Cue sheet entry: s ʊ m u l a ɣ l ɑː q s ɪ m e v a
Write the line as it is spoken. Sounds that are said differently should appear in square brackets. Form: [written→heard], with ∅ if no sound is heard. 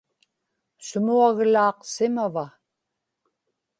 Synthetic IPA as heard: s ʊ m u [l→∅] a ɣ l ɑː q s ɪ m [e→a] v a